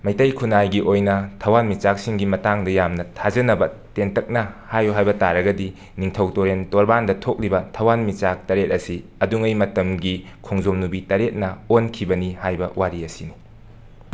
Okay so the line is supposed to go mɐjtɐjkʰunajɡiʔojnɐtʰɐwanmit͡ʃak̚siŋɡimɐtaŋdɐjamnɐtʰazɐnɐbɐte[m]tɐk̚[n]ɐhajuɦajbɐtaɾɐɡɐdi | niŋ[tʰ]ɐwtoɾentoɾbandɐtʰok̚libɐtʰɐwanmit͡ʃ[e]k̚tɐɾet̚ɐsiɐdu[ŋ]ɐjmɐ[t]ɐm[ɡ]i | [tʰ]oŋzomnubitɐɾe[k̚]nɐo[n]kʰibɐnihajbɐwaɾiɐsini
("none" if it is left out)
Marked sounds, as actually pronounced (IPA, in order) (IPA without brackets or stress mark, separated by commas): n, n, tʰ, a, ŋ, t, ɡ, kʰ, t̚, n